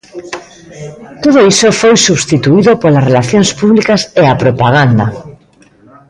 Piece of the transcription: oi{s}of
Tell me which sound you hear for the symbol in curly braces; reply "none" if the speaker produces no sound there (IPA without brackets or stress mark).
s